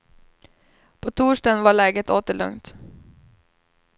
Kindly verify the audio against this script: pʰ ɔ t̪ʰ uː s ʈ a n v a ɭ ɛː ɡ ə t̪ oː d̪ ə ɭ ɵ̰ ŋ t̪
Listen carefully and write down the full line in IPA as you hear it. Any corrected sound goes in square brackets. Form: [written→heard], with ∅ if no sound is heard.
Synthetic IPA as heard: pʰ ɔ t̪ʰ uː [s→ʂ] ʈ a n v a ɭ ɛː ɡ ə t̪ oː [d̪→t̪] ə ɭ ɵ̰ ŋ t̪

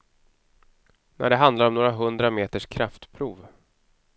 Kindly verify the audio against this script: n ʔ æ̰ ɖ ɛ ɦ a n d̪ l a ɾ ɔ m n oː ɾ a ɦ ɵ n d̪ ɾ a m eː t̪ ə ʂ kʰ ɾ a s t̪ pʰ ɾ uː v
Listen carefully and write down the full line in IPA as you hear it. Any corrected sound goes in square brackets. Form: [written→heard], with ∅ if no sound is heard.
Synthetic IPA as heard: n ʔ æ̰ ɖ ɛ ɦ a n d̪ l a ɾ ɔ m n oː ɾ a ɦ ɵ n d̪ ɾ a m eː t̪ ə ʂ kʰ ɾ a [s→f] t̪ pʰ ɾ uː v

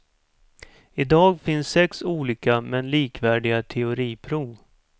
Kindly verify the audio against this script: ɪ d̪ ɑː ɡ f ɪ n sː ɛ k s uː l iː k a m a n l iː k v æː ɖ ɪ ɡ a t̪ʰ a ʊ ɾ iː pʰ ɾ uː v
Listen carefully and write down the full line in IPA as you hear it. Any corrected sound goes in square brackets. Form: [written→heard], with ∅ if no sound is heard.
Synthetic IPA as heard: ɪ d̪ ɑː ɡ f ɪ n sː ɛ k s uː l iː k a m [a→ɛ] n l iː k v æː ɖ ɪ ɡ a t̪ʰ [a→ɛ] ʊ ɾ iː pʰ ɾ uː v

